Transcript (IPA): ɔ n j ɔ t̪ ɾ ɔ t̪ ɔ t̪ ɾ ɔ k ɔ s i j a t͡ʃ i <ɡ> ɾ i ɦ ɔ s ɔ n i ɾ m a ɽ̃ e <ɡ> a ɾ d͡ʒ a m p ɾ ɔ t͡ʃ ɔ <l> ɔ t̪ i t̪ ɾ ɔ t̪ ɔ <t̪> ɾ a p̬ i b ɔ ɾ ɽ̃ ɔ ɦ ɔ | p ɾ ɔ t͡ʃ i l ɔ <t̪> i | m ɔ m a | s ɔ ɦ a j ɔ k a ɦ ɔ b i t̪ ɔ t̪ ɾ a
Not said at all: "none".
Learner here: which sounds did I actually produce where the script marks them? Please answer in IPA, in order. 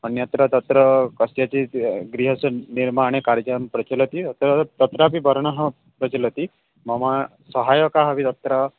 ɡ, k, l, t̪, t̪

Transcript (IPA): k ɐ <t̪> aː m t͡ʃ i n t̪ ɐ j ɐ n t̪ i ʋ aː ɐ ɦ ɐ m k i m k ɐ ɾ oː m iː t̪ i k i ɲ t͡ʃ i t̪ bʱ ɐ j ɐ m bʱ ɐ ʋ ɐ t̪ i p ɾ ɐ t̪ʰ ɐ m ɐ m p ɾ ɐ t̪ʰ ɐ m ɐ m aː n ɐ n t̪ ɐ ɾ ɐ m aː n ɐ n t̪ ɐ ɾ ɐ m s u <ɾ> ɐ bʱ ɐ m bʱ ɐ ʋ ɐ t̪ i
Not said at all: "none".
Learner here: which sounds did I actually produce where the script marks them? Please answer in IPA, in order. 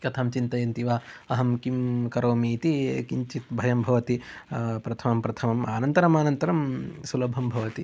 t̪ʰ, l

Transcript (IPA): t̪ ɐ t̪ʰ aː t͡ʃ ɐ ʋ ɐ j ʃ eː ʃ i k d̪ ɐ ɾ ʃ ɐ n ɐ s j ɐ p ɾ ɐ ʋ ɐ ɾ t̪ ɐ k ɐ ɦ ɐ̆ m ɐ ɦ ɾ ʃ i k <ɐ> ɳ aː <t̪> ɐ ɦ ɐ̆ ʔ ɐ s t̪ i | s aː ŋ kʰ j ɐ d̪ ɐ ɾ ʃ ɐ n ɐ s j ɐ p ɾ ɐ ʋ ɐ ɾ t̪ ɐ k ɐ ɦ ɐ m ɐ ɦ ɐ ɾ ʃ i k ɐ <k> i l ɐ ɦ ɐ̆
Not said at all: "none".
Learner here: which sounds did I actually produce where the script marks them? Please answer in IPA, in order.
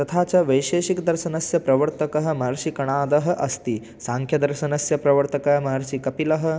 ɐ, d̪, p

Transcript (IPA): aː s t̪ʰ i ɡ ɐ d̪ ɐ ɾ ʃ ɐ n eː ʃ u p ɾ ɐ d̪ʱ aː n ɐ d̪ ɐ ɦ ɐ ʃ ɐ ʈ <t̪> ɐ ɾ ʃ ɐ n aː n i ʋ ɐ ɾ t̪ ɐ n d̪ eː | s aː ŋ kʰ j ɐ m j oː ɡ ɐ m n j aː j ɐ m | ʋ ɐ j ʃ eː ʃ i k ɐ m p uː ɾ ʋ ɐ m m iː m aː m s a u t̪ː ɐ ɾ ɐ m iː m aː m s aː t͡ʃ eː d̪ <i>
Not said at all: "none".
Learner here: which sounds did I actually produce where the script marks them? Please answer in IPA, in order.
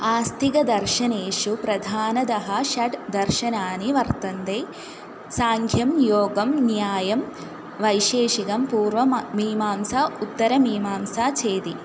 d̪, i

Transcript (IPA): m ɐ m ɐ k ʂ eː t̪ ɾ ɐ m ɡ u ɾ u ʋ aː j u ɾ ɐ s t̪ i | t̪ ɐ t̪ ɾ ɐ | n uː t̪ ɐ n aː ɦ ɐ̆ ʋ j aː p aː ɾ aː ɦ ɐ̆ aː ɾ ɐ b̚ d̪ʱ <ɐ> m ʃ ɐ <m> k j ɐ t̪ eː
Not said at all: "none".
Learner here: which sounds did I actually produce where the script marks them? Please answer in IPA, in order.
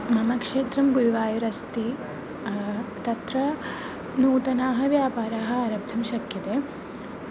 ɐ, none

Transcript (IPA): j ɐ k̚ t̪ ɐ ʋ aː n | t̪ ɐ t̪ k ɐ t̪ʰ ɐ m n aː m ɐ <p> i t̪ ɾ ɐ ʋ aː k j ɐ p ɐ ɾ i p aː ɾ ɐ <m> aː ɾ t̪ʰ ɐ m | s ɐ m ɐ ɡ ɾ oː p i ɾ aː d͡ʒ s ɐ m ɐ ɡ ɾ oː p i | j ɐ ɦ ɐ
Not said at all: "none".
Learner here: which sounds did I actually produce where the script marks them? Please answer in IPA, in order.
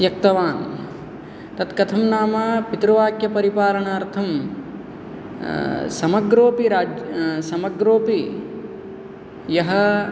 p, ɳ

